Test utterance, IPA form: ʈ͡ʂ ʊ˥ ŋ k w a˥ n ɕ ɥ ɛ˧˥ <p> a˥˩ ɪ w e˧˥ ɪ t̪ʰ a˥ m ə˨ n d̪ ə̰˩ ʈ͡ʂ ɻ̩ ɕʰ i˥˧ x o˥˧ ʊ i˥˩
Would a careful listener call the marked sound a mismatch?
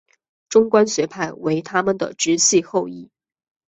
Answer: yes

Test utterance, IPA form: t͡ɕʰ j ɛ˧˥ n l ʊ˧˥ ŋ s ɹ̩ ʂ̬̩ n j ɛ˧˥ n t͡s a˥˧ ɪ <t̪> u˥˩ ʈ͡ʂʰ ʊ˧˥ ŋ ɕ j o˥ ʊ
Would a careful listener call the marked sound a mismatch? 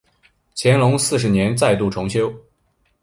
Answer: no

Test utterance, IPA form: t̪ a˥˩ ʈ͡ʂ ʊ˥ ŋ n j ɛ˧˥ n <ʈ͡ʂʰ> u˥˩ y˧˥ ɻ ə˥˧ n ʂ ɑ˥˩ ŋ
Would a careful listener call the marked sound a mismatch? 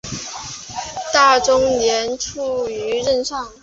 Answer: no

